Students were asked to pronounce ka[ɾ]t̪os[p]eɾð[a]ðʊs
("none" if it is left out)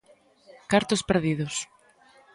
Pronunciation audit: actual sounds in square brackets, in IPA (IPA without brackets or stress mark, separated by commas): ɾ, p, i